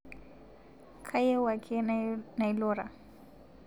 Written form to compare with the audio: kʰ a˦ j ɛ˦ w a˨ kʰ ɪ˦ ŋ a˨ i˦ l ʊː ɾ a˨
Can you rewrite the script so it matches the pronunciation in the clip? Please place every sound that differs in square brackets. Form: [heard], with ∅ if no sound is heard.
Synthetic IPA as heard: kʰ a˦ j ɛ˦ w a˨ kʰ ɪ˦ [n] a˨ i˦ l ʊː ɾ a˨